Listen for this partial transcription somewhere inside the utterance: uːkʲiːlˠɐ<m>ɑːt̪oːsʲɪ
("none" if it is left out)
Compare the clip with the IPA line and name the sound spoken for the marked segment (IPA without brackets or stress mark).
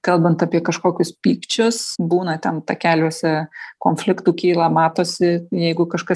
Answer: m